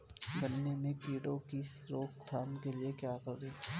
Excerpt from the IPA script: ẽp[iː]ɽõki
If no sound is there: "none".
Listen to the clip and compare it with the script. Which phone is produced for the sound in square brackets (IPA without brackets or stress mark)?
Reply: iː